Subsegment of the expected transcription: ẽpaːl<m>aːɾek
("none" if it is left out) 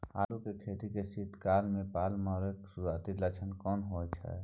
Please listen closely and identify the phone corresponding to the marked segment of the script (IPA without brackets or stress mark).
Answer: m